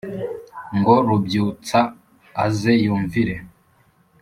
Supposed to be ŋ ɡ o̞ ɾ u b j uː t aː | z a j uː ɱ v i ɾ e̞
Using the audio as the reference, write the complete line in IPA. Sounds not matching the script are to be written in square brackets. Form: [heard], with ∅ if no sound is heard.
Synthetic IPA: ŋ ɡ o̞ ɾ u b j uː [t͡s] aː | z [e] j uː ɱ v i ɾ e̞